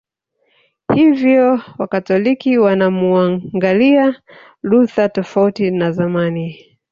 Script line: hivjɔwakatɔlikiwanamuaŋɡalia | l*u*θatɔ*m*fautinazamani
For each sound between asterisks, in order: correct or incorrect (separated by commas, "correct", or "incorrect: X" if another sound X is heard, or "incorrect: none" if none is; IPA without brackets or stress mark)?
correct, incorrect: none